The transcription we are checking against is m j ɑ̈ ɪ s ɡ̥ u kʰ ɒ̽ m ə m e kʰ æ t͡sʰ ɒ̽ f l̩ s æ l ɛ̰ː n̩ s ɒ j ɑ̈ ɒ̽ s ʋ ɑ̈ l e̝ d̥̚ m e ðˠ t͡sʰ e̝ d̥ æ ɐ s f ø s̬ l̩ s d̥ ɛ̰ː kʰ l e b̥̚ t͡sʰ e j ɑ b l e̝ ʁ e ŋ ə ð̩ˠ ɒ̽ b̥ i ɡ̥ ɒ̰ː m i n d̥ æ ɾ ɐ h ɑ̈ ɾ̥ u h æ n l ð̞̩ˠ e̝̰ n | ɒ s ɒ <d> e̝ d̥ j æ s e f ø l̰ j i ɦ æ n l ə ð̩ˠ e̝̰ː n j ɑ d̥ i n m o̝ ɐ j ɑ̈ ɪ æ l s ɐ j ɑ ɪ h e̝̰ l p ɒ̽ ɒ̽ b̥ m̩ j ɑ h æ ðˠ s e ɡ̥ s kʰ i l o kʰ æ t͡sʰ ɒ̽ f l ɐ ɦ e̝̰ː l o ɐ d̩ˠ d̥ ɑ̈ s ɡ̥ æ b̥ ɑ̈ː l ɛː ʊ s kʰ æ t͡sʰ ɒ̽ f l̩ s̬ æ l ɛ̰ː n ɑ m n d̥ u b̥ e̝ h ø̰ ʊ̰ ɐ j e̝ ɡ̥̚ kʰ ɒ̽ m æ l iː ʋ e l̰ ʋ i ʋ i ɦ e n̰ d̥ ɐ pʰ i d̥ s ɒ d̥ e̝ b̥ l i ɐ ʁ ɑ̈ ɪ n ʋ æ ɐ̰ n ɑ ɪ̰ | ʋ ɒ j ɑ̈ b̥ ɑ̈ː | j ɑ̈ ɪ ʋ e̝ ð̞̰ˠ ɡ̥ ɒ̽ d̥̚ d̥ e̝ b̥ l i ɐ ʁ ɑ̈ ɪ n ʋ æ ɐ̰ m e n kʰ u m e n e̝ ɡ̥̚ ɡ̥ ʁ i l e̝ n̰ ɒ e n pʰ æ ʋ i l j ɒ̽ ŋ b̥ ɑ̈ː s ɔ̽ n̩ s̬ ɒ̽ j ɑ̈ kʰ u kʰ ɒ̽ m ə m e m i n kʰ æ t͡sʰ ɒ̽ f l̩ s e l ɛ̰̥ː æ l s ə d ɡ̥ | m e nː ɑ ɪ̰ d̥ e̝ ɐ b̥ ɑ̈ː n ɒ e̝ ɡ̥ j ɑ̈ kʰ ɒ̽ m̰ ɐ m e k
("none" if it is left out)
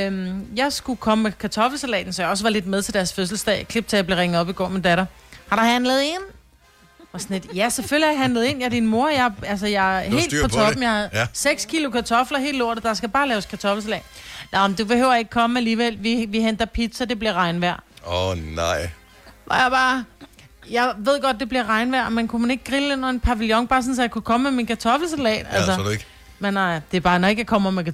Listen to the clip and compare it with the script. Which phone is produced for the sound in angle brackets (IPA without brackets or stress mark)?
n